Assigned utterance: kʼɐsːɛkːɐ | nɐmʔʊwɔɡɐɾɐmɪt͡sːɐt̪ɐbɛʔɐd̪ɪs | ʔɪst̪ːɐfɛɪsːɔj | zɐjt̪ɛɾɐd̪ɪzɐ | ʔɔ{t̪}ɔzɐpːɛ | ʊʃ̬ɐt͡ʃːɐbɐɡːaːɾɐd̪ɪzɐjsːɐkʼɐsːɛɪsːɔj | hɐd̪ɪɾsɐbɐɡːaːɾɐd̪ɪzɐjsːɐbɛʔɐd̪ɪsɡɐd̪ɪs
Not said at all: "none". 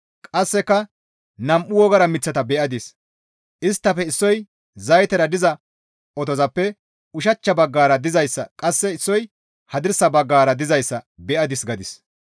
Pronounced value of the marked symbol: t̪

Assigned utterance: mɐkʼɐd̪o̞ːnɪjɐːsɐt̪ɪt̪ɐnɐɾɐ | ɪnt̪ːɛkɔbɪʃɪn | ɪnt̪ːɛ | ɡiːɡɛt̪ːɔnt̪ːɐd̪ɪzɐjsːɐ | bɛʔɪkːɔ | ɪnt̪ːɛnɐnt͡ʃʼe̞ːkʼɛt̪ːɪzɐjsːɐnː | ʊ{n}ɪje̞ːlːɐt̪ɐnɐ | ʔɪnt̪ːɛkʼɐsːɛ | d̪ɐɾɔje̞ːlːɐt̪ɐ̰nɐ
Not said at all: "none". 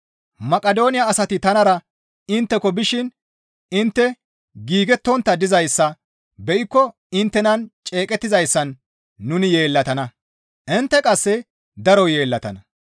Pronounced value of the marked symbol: n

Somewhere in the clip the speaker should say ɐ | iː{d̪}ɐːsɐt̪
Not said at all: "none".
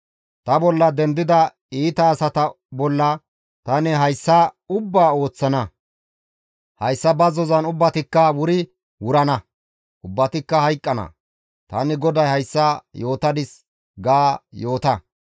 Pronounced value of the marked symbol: t̪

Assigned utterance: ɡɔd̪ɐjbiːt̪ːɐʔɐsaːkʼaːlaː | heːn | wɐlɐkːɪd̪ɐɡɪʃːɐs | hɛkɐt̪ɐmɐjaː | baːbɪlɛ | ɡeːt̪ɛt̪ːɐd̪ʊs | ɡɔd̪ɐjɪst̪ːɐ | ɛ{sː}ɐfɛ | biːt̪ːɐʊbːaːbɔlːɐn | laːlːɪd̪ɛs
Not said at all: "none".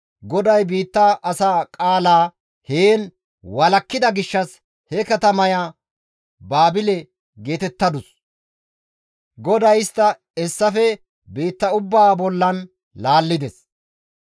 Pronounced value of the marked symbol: sː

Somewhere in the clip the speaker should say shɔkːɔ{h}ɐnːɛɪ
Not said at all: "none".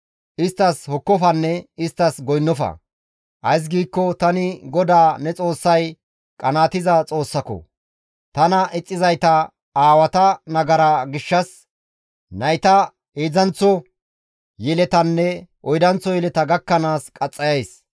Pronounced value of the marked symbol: f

